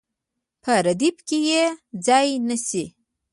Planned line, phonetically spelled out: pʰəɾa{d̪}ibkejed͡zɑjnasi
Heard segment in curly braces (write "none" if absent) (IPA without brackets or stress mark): d̪